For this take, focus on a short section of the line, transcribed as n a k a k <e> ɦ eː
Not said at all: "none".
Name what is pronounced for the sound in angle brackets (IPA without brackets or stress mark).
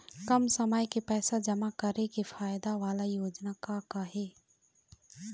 a